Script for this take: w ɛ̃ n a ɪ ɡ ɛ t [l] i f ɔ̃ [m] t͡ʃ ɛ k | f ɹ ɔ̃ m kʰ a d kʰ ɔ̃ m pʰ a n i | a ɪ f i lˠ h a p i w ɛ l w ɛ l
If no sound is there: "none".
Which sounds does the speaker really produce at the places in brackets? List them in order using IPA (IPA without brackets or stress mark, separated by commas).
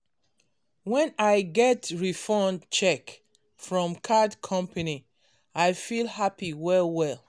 ɹ, n